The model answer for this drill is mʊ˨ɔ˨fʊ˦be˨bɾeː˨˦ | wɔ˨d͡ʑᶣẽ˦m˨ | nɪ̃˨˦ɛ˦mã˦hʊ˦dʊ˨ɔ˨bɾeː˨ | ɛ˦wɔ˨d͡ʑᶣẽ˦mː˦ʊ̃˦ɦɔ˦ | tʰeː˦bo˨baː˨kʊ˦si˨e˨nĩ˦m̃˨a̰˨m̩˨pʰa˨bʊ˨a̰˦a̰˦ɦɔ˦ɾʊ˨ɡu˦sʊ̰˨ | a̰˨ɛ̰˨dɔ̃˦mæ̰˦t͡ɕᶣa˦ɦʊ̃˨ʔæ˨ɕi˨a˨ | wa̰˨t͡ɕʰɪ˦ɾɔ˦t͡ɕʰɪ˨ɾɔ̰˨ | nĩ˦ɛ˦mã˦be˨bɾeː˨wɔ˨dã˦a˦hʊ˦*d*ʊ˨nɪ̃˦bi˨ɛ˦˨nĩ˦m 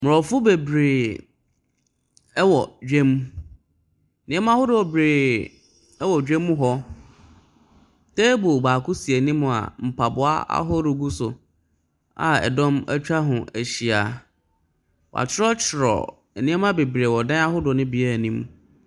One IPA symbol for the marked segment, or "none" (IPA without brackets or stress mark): d